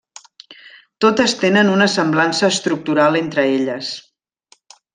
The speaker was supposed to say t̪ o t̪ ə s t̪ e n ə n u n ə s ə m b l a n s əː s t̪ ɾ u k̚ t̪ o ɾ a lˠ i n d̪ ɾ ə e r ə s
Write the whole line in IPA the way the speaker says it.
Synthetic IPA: t̪ o t̪ ə s t̪ e n ə n u n ə s ə m b l a n s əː s t̪ ɾ u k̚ t̪ u ɾ a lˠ e n t̪ ɾ ə e ʎ ə s